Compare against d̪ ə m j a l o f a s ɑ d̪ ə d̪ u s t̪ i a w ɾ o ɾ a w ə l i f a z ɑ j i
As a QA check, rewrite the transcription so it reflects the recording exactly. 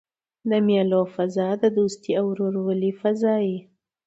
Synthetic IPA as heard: d̪ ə m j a l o f a z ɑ d̪ ə d̪ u s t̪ i a w ɾ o ɾ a w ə l i f a z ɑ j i